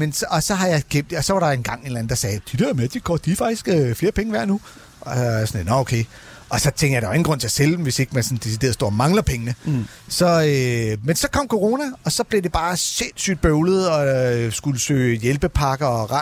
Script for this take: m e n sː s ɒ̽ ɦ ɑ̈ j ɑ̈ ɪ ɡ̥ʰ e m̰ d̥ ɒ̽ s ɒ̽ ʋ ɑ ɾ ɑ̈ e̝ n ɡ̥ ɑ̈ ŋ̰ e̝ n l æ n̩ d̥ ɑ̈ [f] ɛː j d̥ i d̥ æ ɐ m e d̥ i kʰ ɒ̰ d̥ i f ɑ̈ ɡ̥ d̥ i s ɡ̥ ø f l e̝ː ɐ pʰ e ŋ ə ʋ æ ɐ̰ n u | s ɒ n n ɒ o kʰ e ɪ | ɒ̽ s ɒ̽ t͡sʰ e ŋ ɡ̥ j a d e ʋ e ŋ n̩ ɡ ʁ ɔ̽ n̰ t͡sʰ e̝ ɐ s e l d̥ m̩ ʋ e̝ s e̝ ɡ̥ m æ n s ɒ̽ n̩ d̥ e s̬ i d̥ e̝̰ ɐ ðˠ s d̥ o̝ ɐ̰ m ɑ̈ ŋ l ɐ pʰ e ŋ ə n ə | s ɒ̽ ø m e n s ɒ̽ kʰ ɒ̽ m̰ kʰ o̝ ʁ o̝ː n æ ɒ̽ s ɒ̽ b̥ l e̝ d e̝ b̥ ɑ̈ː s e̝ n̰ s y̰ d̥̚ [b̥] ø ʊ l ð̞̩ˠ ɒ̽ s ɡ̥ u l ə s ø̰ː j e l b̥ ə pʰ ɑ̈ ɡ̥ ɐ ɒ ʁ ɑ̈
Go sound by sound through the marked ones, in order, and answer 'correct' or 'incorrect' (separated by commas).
incorrect, correct